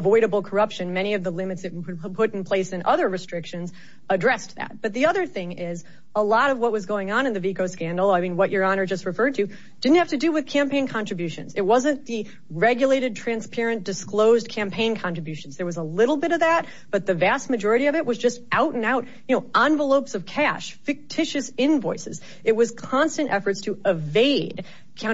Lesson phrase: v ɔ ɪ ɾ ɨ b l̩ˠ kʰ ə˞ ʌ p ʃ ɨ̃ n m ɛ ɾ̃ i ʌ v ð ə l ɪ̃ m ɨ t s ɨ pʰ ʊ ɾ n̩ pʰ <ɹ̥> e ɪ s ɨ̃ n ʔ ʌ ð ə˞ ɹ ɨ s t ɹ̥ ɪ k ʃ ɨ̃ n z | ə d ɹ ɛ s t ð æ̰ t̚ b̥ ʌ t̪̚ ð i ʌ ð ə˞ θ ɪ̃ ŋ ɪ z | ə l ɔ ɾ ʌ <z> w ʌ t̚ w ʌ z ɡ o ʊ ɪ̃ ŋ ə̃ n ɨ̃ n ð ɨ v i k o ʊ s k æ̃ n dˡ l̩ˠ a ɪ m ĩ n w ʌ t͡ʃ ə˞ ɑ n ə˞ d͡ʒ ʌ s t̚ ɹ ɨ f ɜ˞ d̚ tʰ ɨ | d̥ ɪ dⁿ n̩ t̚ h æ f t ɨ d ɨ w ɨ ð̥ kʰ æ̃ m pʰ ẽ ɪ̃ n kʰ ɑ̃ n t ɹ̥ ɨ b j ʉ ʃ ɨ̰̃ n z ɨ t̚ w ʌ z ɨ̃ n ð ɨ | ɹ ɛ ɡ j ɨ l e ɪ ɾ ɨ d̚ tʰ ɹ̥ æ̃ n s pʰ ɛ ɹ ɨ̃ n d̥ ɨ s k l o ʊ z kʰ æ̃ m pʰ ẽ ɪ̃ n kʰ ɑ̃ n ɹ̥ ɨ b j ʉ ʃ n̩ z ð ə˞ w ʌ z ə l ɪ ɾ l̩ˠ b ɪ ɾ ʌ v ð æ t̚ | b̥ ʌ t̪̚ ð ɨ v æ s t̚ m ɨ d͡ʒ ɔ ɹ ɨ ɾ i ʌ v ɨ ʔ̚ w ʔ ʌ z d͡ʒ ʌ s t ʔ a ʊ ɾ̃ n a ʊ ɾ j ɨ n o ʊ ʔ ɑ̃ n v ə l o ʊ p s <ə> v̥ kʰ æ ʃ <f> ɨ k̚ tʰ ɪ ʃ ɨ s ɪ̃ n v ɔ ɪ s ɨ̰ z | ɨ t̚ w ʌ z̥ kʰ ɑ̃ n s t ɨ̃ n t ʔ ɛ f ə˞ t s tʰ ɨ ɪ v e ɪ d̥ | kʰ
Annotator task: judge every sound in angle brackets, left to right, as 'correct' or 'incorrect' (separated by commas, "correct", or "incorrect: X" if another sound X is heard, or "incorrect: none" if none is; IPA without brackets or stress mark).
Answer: incorrect: l̥, incorrect: v, incorrect: ʌ, correct